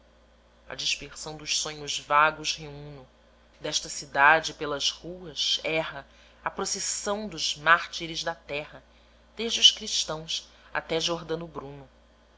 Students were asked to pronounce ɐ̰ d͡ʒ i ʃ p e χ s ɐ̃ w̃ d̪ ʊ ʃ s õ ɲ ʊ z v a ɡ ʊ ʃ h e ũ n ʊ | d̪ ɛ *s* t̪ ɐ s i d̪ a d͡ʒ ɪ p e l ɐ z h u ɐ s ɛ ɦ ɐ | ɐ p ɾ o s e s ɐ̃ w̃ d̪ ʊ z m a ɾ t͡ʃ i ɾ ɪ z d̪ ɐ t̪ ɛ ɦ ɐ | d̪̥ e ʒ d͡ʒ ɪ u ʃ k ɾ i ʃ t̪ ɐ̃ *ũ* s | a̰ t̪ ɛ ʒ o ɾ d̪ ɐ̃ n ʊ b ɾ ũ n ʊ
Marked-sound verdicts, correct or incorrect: incorrect: ʃ, incorrect: w̃

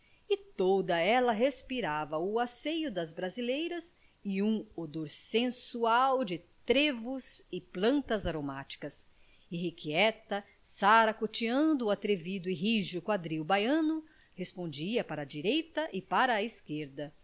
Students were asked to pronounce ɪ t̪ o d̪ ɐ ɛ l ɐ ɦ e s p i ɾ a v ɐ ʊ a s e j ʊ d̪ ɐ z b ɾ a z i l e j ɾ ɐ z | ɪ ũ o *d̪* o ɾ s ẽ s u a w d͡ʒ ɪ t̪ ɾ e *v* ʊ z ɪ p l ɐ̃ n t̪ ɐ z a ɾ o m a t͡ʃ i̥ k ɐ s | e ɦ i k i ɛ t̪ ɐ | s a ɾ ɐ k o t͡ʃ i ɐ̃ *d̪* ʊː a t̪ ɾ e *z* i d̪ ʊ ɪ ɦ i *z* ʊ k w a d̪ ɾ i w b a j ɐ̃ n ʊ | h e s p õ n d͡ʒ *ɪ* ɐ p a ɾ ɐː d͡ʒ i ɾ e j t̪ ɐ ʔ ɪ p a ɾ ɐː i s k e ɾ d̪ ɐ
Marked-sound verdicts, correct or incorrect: correct, correct, correct, incorrect: v, incorrect: ʒ, incorrect: i

